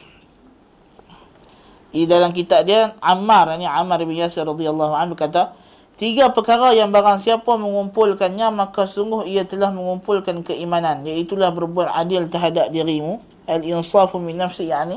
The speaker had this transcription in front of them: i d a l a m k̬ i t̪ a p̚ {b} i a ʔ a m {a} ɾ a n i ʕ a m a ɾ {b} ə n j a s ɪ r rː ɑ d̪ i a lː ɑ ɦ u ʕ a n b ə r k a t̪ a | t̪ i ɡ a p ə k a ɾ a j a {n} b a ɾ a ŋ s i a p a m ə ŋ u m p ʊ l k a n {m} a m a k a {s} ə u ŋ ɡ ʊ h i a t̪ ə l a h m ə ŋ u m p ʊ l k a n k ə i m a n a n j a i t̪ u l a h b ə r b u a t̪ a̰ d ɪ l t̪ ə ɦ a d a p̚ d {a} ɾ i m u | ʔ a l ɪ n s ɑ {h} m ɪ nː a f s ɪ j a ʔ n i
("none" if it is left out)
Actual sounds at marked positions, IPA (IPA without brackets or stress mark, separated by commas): d, a, b, ŋ, ɲ, s, i, f